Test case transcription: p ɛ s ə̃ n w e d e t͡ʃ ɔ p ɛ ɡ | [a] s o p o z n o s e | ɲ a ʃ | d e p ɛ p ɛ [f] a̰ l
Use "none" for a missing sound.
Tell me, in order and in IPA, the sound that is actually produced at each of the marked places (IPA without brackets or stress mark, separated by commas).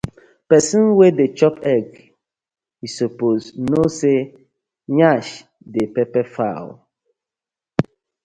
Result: i, f